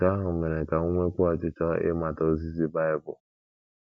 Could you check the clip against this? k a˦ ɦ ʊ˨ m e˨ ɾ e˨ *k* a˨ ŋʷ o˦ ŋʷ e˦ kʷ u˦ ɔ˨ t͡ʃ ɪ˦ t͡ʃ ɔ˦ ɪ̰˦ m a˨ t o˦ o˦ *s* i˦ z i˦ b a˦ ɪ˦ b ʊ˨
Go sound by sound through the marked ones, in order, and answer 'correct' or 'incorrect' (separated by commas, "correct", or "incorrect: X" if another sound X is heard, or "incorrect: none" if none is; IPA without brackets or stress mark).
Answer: correct, incorrect: z